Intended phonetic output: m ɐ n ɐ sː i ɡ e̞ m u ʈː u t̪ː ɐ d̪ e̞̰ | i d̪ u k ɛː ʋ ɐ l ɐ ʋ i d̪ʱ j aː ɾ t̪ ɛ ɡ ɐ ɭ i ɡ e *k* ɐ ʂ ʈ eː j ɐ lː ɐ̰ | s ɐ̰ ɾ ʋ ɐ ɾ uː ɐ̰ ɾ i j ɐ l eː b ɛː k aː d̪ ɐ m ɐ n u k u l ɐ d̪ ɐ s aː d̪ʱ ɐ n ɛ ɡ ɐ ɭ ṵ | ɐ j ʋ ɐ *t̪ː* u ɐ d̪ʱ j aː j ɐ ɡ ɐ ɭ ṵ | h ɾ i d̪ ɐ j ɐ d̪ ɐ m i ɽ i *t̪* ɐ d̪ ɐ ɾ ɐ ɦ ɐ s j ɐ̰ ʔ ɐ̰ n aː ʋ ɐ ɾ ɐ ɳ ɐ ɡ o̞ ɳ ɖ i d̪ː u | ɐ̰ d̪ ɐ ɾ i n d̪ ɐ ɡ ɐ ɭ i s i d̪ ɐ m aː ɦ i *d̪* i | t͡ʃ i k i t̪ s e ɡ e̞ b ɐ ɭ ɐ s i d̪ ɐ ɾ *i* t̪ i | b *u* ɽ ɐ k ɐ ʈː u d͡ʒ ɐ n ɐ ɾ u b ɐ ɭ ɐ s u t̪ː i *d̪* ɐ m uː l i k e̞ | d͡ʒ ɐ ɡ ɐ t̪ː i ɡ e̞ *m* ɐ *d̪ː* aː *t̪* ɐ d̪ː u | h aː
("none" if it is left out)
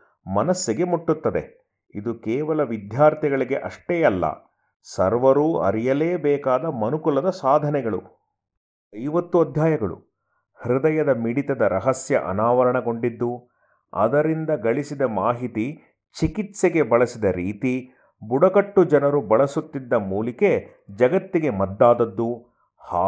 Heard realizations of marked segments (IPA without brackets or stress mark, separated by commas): ʔ, t̪ː, t̪, t̪, iː, u, d̪ː, m, d̪ː, d̪